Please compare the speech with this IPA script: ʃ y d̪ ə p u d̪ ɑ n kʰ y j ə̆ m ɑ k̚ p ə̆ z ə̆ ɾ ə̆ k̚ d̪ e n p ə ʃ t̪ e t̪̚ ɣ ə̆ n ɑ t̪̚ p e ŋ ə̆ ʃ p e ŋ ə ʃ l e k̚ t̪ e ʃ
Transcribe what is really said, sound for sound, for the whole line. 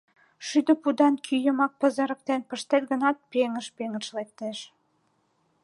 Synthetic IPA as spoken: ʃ y d̪ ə p u d̪ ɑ n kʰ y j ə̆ m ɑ k̚ p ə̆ z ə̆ ɾ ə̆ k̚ t̪ e n p ə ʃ t̪ e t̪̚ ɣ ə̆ n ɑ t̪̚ p e ŋ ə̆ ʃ p e ŋ ə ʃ l e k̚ t̪ e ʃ